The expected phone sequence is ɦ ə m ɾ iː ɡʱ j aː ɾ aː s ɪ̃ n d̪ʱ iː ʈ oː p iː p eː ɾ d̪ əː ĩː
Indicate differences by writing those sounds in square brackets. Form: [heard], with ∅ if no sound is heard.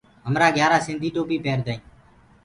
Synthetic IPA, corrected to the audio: ɦ ə m ɾ [aː] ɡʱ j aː ɾ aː s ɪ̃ n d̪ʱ iː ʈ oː p iː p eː ɾ d̪ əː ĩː